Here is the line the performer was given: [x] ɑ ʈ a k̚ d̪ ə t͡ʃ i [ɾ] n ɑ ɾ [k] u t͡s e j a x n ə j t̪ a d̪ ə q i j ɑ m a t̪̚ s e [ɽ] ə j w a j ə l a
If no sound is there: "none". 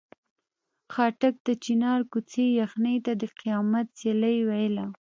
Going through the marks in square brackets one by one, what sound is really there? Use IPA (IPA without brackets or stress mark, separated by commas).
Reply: x, none, k, l